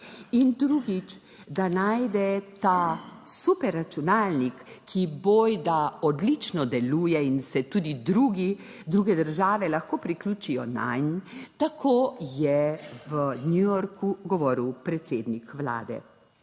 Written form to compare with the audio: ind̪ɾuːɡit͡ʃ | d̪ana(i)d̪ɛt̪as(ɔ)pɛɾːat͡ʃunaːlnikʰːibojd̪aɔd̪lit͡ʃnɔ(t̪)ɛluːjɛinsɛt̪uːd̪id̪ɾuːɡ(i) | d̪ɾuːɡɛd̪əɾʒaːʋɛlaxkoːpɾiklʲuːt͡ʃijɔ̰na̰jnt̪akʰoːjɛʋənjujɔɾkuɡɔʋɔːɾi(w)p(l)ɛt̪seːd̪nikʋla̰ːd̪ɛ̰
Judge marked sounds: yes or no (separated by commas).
no, no, no, yes, yes, no